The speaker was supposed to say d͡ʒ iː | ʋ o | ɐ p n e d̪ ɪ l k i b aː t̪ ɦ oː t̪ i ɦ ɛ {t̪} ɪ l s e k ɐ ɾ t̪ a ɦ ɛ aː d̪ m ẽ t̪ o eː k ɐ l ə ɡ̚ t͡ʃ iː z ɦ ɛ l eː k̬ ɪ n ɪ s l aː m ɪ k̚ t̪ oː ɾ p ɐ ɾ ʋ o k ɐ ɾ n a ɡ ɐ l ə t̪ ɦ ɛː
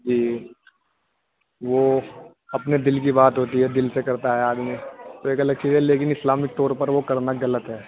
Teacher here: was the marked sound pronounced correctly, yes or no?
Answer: no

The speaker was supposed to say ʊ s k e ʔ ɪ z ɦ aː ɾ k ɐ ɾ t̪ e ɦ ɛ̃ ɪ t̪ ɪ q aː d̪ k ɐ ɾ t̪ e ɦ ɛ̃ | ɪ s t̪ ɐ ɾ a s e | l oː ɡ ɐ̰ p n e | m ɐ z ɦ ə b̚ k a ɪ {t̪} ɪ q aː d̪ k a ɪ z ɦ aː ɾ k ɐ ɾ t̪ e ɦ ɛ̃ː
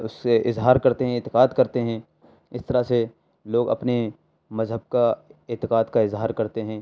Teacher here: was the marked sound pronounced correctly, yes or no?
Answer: yes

